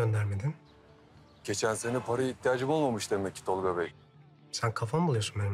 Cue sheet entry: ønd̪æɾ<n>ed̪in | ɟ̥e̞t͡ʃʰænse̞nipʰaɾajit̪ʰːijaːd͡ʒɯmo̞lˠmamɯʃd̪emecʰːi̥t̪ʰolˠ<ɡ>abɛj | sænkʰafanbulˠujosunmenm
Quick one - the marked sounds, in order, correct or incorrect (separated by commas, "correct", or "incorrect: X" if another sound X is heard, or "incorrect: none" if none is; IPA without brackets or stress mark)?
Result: incorrect: m, correct